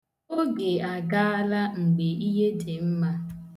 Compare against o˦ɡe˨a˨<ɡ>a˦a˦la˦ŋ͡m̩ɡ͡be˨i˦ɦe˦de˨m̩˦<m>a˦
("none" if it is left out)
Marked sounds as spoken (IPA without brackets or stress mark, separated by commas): ɡ, m